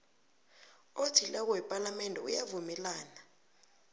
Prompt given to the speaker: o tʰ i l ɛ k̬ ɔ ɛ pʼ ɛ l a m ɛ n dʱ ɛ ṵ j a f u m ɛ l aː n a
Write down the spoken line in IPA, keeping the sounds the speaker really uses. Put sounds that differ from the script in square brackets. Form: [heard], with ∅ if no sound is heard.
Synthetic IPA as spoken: o tʰ i l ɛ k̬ ɔ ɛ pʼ [a] l a m ɛ n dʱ ɛ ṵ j a [v] u m ɛ l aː n a

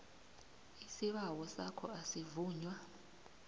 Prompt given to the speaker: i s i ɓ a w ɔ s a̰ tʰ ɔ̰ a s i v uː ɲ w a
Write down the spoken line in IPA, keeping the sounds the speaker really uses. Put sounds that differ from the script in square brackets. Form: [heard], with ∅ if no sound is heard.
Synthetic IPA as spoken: i s i ɓ a w ɔ s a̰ [kʰ] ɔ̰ a s i v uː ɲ w a

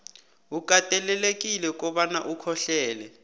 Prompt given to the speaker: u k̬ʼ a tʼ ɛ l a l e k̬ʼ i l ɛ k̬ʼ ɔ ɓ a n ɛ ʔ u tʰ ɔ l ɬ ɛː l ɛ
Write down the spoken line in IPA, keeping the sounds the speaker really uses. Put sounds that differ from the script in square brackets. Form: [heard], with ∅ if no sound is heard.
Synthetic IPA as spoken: u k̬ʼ a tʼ ɛ l [ɛ] l e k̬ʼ i l ɛ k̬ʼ ɔ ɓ a n [a] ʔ u [kʰ] ɔ [∅] ɬ ɛː l ɛ

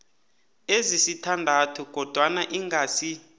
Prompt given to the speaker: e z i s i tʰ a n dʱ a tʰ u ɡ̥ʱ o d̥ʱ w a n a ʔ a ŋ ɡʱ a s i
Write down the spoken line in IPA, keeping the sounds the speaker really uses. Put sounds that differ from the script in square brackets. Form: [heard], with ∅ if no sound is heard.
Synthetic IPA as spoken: e z i s i tʰ a n dʱ a tʰ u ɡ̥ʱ [ɔ] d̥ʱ w a n a ʔ [i] ŋ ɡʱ a s i

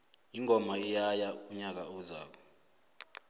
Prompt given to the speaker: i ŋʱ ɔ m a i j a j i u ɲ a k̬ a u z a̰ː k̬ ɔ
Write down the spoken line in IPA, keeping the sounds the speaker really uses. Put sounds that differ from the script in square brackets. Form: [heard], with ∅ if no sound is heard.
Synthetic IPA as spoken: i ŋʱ ɔ m a i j a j [a] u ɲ a k̬ a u z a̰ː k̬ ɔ

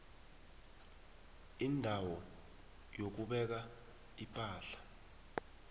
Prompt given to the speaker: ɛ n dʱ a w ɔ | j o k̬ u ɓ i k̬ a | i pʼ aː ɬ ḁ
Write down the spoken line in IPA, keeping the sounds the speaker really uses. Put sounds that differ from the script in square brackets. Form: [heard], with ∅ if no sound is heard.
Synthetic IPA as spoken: [i] n dʱ a w ɔ | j o k̬ u ɓ [ɛ] k̬ a | i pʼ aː ɬ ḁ

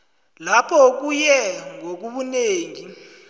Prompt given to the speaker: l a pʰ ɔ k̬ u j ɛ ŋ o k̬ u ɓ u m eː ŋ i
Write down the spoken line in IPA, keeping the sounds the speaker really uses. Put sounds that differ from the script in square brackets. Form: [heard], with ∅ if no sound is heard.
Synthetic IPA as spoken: l a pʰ ɔ k̬ u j ɛ ŋ o k̬ u ɓ u [n] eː ŋ i

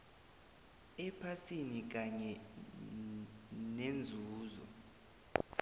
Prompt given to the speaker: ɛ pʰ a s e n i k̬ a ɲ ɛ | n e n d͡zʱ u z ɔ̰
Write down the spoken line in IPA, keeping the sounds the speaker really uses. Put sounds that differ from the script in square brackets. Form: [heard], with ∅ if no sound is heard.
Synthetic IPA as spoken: ɛ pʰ a s [i] n i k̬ a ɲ ɛ | n e n d͡zʱ [uː] z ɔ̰

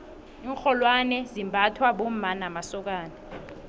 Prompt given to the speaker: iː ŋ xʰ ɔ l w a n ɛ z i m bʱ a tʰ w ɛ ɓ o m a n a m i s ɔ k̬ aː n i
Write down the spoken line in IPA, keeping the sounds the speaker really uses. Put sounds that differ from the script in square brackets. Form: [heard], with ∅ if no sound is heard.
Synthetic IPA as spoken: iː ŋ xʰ ɔ l w a n ɛ z i m bʱ a tʰ w [a] ɓ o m a n a m [a] s ɔ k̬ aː n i

